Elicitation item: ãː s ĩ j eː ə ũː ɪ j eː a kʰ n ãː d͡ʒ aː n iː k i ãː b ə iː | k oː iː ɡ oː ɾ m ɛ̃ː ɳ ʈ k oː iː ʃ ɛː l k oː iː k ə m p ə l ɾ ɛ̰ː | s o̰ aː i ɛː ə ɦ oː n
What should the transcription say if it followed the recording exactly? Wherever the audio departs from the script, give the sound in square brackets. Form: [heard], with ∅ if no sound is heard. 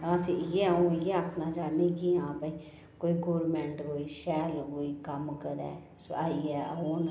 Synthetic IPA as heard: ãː s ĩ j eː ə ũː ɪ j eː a kʰ n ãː d͡ʒ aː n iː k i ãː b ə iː | k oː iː ɡ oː ɾ m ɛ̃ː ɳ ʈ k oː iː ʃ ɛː l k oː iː k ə m [k] ə [∅] ɾ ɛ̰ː | s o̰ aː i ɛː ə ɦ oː n